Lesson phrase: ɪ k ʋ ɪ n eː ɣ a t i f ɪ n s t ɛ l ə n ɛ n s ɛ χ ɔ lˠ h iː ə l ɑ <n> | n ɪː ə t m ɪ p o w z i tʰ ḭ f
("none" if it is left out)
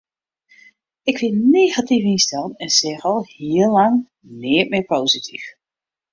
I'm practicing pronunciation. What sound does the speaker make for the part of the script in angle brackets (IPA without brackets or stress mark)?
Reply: ŋ